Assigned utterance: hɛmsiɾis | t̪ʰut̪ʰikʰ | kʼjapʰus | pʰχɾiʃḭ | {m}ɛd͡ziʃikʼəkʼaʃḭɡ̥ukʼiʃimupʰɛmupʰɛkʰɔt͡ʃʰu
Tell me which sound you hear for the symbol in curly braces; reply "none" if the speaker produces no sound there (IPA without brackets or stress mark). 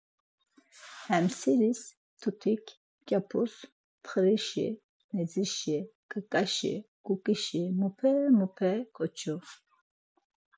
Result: n